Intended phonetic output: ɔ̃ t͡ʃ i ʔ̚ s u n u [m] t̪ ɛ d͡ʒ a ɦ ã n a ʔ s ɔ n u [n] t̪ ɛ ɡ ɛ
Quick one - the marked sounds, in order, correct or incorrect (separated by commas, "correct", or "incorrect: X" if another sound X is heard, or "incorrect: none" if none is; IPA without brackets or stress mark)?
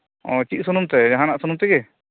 correct, incorrect: m